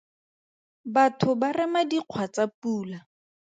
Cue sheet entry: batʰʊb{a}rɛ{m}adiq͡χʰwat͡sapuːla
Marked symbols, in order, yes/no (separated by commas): yes, yes